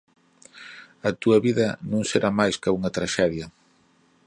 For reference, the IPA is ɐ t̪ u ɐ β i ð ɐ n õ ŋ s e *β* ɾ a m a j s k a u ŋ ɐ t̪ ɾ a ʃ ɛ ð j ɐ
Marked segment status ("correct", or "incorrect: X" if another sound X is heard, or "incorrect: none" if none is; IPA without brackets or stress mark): incorrect: none